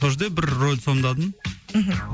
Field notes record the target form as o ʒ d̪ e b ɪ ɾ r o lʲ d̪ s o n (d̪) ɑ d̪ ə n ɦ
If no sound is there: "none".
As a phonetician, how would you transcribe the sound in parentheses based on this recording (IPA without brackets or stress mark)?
d̪